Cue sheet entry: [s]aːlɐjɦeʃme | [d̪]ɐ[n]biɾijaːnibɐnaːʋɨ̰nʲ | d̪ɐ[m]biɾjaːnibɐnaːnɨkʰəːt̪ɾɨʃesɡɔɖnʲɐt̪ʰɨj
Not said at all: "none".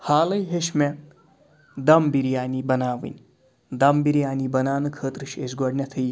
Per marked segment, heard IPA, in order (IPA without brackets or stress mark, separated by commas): h, d̪, m, m